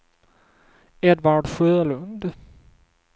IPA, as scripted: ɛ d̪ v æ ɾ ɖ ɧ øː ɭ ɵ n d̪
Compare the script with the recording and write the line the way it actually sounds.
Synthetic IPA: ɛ d̪ v a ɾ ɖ ɧ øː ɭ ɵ n d̪